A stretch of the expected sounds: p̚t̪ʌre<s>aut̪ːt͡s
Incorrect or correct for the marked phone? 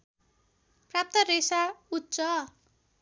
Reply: correct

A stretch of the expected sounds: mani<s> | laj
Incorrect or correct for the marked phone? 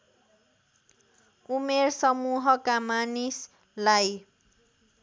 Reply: correct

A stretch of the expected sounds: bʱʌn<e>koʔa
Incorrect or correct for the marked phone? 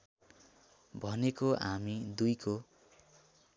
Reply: correct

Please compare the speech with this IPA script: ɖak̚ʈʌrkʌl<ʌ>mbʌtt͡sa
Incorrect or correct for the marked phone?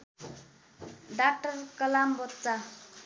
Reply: incorrect: a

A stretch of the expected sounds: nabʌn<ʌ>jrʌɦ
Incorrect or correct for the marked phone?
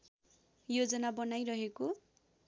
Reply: incorrect: a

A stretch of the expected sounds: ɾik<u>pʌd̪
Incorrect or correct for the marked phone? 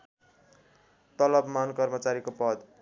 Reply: incorrect: o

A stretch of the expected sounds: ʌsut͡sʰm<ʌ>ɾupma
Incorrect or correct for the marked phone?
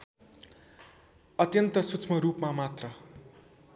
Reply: correct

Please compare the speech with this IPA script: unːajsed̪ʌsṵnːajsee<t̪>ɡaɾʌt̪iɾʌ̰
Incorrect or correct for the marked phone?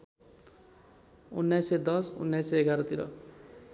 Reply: incorrect: none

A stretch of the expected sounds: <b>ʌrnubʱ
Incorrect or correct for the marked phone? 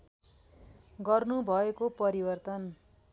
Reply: incorrect: ɡ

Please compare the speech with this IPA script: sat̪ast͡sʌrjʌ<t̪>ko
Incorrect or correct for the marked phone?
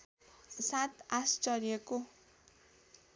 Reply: incorrect: none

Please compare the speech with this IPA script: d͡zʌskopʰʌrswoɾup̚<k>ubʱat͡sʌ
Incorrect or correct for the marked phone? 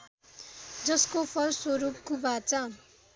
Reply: correct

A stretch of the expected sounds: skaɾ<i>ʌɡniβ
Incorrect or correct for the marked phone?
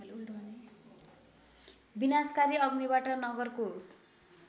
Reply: correct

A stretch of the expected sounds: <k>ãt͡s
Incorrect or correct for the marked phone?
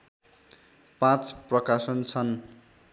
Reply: incorrect: p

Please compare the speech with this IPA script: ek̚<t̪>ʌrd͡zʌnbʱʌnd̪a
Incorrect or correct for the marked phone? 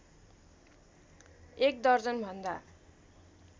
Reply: incorrect: d̪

